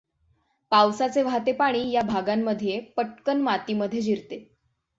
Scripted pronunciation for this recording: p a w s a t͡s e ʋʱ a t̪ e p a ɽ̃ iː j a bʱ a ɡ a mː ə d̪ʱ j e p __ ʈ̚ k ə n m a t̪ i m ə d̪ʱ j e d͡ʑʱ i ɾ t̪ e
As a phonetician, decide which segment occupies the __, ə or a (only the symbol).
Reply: ə